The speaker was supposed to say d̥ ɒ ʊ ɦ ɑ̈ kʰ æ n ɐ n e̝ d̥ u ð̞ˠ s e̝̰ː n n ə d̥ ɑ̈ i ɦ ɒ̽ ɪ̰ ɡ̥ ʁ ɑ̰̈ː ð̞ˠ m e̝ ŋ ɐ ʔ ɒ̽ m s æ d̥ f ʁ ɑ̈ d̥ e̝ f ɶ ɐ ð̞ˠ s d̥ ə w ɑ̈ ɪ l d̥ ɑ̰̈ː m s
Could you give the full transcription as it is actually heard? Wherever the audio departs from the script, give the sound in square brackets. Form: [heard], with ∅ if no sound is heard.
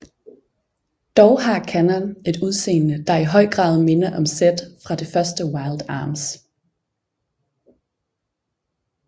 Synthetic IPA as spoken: d̥ ɒ ʊ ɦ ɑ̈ kʰ æ n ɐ n e̝ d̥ u ð̞ˠ s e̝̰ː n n ə d̥ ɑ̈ i ɦ ɒ̽ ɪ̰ ɡ̥ ʁ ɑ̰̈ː ð̞ˠ m e̝ [n] ɐ ʔ ɒ̽ m s [e] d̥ f ʁ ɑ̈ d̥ e̝ f ɶ ɐ [∅] s d̥ ə w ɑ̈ ɪ l d̥ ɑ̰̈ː m s